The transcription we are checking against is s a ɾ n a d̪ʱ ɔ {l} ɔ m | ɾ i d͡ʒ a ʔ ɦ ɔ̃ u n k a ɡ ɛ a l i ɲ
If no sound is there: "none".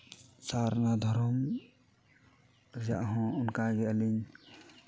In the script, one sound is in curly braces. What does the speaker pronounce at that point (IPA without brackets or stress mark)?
ɾ